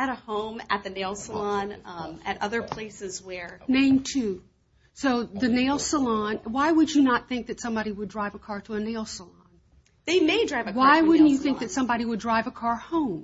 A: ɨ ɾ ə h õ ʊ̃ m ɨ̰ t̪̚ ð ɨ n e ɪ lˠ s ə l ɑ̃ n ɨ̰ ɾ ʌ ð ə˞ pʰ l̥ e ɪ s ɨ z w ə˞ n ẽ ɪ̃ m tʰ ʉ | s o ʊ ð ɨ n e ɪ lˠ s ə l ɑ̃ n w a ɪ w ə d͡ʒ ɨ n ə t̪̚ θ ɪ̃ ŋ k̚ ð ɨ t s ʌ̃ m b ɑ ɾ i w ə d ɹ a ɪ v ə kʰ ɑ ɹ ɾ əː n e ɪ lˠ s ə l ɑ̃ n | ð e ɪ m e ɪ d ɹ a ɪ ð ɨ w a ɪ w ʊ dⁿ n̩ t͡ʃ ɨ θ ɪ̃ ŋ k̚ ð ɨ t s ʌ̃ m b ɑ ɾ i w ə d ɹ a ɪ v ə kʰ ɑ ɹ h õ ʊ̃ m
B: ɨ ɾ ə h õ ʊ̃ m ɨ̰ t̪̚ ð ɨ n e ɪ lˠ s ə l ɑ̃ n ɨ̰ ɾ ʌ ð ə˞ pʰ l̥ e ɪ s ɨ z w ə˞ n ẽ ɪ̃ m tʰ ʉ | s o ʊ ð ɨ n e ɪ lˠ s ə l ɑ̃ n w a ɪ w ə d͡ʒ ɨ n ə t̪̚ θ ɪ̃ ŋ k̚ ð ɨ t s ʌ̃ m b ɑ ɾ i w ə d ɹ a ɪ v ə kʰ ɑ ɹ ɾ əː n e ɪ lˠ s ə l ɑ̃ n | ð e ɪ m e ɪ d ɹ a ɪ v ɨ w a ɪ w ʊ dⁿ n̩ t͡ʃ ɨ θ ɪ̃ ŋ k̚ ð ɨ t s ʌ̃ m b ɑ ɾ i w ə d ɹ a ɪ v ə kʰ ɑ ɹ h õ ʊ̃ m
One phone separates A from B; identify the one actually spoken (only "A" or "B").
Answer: B